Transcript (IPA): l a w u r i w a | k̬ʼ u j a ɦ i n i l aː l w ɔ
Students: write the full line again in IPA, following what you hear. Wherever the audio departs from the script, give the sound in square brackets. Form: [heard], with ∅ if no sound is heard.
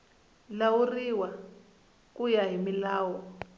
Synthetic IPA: l a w u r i w a | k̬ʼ u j a ɦ i [m] i l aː [∅] w ɔ